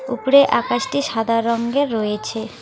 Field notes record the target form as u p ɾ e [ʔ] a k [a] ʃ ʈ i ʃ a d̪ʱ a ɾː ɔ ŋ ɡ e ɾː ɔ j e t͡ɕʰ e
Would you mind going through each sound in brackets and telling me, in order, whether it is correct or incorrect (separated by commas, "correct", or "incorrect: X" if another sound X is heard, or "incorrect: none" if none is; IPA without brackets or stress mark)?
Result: correct, correct